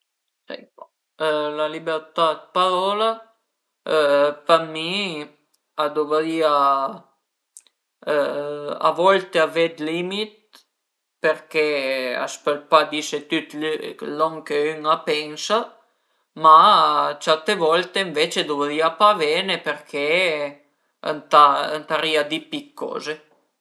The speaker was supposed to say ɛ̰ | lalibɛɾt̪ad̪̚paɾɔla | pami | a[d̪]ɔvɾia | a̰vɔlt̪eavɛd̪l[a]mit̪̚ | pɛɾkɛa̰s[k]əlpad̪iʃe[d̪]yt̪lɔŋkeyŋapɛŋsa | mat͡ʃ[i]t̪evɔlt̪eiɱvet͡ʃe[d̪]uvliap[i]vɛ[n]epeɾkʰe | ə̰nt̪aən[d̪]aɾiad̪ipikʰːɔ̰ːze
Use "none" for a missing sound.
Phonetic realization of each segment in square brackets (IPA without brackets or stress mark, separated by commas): d̪, i, p, t̪, a, d̪, a, n, t̪